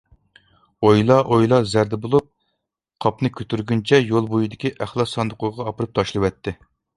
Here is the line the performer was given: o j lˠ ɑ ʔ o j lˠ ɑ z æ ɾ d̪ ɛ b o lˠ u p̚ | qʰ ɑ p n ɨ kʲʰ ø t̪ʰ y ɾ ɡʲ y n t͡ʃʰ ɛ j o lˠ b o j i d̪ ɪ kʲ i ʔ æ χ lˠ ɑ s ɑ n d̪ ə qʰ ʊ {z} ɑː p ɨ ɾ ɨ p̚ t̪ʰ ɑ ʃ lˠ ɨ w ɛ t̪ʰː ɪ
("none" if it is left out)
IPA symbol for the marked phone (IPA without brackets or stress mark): ʁ